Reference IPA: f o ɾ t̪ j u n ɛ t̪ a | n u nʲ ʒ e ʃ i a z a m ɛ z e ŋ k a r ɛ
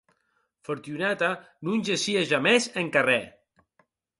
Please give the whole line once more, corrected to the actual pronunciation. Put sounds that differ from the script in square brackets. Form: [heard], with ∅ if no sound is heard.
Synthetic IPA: f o ɾ t̪ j u n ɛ t̪ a | n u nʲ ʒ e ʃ i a [ʒ] a m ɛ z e ŋ k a r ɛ